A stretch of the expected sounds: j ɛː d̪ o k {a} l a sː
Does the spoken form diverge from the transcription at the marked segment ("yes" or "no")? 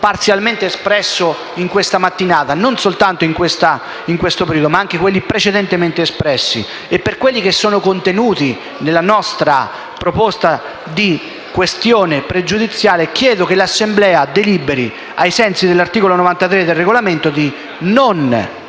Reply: yes